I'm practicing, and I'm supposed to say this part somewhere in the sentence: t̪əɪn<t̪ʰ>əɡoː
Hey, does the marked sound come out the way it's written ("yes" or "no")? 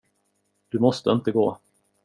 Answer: no